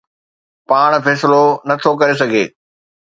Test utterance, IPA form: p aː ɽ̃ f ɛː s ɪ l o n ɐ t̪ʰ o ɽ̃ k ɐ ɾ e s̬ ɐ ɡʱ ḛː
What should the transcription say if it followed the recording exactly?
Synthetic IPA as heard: p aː ɽ̃ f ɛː s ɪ l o n ɐ t̪ʰ o k ɐ ɾ e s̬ ɐ ɡʱ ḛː